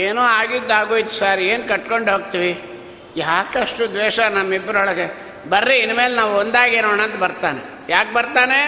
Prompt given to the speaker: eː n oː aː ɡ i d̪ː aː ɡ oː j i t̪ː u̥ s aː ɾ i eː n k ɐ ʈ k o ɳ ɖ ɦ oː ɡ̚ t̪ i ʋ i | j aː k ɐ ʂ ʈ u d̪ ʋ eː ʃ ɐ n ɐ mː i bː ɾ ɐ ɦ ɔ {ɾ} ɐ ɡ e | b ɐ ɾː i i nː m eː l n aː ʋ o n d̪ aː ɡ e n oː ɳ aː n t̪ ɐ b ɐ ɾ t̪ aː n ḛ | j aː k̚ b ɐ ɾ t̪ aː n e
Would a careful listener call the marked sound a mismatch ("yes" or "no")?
yes